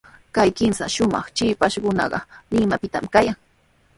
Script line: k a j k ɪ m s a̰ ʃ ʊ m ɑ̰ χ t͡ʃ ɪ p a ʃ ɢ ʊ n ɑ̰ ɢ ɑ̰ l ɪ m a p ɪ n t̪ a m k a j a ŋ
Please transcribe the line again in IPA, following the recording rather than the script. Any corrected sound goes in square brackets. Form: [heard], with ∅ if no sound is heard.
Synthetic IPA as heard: k a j k ɪ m s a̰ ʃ ʊ m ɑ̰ χ t͡ʃ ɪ p a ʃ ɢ ʊ n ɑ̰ ɢ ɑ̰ l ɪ m a p ɪ [∅] t̪ a m k a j a ŋ